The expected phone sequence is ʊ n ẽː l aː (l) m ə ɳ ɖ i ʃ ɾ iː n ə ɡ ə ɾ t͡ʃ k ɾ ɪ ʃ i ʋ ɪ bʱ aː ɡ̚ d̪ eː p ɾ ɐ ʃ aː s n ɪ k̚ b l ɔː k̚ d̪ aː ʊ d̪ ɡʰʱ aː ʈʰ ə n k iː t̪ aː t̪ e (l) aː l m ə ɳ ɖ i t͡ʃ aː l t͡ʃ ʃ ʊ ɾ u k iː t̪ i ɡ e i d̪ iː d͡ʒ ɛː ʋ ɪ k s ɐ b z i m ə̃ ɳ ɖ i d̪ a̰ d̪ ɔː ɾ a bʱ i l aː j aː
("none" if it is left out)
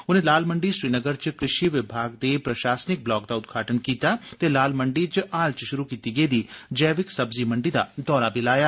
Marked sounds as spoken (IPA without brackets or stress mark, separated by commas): l, l